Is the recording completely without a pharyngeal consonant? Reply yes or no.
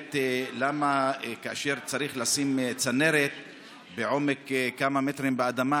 no